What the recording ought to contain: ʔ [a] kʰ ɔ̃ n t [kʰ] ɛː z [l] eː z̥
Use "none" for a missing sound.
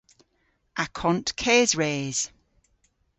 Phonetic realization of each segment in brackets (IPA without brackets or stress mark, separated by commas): a, kʰ, ɹ